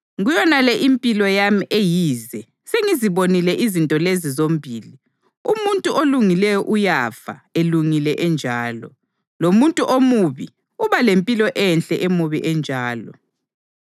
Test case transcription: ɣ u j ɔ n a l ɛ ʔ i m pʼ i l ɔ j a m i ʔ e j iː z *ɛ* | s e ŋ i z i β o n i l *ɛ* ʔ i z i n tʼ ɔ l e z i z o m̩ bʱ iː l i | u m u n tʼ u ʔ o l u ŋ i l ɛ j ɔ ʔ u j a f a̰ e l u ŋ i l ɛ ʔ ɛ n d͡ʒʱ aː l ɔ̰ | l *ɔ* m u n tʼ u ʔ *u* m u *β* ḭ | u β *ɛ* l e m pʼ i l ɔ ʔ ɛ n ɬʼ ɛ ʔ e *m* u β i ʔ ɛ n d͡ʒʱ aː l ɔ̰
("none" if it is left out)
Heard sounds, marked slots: ɛ, ɛ, o, o, β, a, m

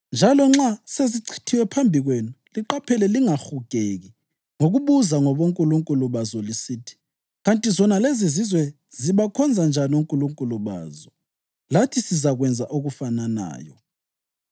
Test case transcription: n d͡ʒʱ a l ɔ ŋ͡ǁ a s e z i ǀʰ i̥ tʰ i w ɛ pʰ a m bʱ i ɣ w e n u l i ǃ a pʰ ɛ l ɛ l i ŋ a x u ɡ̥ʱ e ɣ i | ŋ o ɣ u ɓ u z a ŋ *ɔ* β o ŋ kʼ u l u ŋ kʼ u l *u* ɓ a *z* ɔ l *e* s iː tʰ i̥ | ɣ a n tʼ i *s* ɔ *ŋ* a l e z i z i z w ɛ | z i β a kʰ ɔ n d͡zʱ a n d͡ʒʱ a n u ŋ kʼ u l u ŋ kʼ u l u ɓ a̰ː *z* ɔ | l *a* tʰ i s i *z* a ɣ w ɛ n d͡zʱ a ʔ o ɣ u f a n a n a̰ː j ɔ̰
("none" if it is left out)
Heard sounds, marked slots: ɔ, u, z, i, z, n, z, a, z

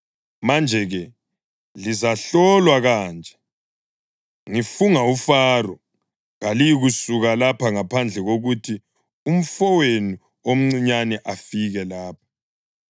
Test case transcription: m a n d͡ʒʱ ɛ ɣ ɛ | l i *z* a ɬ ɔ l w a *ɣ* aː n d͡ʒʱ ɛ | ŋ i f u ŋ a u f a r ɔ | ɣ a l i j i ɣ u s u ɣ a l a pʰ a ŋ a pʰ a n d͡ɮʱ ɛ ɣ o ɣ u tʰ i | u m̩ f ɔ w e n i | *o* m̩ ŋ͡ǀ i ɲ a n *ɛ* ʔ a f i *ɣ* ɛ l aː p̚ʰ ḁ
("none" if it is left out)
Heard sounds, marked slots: z, ɣ, o, ɛ, ɣ

